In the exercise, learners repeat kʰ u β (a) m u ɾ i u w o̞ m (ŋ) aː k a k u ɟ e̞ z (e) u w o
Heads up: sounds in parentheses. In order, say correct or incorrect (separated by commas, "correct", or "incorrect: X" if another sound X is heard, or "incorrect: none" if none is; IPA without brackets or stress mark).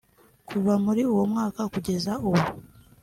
correct, correct, incorrect: a